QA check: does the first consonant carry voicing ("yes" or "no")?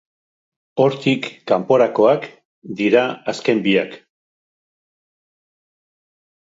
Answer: yes